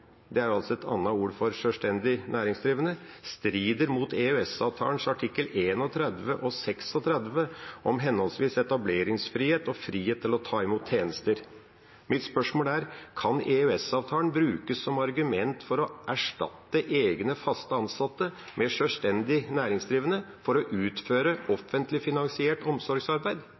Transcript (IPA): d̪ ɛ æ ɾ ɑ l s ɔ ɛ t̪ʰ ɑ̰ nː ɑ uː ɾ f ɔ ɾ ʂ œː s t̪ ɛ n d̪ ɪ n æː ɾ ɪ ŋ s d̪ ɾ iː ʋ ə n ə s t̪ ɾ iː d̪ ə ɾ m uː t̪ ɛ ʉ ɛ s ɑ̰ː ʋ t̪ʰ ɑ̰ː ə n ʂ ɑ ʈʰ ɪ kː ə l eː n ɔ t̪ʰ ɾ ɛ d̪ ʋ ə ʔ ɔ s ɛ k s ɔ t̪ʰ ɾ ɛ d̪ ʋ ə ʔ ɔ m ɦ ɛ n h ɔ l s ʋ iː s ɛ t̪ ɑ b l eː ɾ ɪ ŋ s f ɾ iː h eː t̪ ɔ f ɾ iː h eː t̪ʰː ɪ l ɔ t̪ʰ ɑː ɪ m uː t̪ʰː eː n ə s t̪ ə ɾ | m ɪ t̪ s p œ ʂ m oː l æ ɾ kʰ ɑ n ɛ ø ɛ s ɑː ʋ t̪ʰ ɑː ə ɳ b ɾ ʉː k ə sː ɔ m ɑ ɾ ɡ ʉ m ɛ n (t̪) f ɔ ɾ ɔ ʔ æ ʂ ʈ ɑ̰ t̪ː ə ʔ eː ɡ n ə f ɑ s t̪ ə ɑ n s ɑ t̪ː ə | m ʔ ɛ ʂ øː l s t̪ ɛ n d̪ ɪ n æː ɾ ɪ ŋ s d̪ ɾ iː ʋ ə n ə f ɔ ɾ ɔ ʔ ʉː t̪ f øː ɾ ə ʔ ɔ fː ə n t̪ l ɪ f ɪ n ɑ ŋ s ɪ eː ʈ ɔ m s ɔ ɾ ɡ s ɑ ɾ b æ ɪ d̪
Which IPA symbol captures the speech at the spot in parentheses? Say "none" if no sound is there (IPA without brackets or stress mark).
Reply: t̪